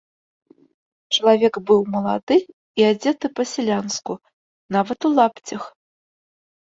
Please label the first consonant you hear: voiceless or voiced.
voiceless